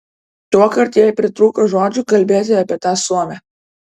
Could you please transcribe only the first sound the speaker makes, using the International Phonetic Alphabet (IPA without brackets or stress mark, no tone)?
t̪